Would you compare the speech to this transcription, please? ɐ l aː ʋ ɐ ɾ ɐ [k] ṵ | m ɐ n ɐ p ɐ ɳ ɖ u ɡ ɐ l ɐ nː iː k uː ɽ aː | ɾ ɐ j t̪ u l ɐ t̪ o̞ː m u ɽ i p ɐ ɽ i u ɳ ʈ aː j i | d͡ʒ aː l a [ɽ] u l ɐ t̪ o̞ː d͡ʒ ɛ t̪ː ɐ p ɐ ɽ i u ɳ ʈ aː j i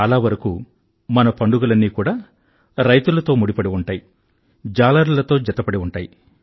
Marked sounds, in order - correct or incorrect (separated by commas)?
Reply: correct, incorrect